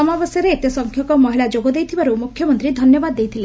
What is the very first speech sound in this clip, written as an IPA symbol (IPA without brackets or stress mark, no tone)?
ɔ